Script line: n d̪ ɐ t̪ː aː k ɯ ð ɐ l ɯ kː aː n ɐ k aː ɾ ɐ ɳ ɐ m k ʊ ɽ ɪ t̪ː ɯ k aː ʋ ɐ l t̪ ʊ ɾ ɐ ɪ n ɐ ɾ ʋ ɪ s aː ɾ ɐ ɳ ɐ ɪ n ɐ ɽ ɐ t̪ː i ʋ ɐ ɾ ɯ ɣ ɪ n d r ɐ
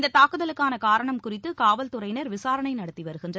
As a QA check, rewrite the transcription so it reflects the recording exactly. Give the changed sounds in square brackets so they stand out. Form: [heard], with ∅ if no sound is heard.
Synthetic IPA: n d̪ ɐ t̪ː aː k ɯ ð ɐ l ɯ kː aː n ɐ k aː ɾ ɐ ɳ ɐ m k ʊ [r] ɪ t̪ː ɯ k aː ʋ ɐ l t̪ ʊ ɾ ɐ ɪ n ɐ ɾ ʋ ɪ s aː ɾ ɐ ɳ ɐ ɪ n ɐ ɽ ɐ t̪ː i ʋ ɐ ɾ ɯ ɣ ɪ n d r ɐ